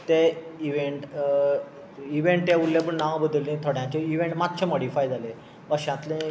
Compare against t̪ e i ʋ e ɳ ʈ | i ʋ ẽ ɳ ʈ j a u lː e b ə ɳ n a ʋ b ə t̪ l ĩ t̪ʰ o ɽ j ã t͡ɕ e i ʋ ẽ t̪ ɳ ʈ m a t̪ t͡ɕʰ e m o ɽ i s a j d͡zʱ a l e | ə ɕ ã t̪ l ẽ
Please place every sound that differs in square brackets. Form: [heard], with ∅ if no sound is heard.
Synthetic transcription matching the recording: t̪ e i ʋ e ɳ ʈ | i ʋ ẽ ɳ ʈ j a u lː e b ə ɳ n a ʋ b ə [d̪] l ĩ t̪ʰ o ɽ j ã t͡ɕ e i ʋ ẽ [∅] ɳ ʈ m a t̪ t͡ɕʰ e m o ɽ i [f] a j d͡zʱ a l e | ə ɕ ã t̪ l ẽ